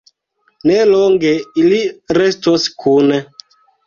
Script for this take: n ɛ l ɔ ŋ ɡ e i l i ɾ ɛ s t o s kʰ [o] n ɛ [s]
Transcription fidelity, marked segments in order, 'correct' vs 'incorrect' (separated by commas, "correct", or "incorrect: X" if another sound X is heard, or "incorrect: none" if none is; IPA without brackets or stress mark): incorrect: u, incorrect: none